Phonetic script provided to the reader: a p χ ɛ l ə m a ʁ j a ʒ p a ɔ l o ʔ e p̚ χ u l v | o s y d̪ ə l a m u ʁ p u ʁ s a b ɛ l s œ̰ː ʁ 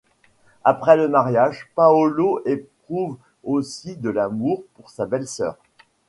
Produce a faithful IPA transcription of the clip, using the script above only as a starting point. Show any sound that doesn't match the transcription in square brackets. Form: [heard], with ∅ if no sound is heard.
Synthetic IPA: a p χ ɛ l ə m a ʁ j a ʒ p a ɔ l o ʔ e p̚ χ u [∅] v | o s [i] d̪ ə l a m u ʁ p u ʁ s a b ɛ l s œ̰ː ʁ